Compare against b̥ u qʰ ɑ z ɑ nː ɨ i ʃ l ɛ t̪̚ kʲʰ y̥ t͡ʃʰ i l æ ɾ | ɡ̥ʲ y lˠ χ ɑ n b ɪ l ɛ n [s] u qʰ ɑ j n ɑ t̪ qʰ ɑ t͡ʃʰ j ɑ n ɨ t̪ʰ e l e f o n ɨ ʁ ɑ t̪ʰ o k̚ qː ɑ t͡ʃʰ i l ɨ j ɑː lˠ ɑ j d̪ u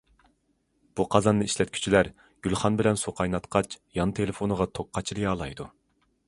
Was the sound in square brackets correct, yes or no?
yes